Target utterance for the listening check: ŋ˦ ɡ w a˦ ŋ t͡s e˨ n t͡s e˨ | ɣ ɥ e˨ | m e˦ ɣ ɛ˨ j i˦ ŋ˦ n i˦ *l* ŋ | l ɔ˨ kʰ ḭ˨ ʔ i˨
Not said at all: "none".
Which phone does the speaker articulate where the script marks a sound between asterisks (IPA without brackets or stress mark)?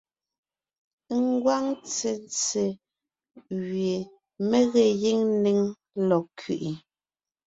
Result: none